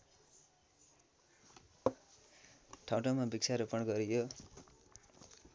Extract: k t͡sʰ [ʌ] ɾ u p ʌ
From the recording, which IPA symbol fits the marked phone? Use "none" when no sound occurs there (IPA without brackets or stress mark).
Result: a